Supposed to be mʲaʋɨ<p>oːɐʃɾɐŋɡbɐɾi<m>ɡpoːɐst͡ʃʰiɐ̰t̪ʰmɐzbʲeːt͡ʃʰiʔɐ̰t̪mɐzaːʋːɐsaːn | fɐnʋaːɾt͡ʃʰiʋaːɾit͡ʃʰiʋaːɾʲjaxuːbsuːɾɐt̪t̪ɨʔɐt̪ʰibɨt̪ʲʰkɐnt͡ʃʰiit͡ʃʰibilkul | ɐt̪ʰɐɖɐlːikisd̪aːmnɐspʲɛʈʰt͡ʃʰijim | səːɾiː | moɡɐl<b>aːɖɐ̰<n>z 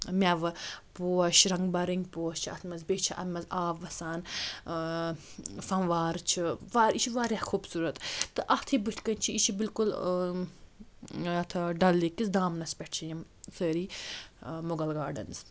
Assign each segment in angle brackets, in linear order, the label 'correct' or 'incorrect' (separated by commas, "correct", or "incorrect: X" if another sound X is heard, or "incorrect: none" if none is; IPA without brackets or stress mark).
correct, incorrect: ŋ, incorrect: ɡ, correct